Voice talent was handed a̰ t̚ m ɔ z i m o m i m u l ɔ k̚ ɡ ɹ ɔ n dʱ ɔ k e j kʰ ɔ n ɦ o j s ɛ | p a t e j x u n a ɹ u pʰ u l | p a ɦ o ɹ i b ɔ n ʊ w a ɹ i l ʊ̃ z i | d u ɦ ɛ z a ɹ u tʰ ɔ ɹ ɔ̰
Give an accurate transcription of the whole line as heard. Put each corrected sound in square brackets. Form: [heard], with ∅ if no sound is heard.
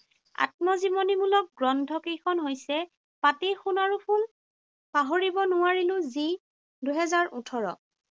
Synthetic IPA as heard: a̰ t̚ m ɔ z i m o [n] i m u l ɔ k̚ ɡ ɹ ɔ n dʱ ɔ k e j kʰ ɔ n ɦ o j s ɛ | p a t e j x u n a ɹ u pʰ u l | p a ɦ o ɹ i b ɔ n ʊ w a ɹ i l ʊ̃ z i | d u ɦ ɛ z a ɹ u tʰ ɔ ɹ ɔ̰